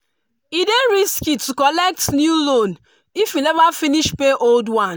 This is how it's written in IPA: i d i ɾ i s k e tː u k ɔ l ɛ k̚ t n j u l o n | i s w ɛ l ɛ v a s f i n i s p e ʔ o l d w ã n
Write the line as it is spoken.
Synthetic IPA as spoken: i d e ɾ i s k i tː u k ɔ l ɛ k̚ t n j u l o n | i f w i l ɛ v a f i n i ʃ p e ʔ o l d w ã n